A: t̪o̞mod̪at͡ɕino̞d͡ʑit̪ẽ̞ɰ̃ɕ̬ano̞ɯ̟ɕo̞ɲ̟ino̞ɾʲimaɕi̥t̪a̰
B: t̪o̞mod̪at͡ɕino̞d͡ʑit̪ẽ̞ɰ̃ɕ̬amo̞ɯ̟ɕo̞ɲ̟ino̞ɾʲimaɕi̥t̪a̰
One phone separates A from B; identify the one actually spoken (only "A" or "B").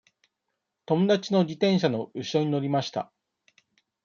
A